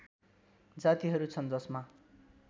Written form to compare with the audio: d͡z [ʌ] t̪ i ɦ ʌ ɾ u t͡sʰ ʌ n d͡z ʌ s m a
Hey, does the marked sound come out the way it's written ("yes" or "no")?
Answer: no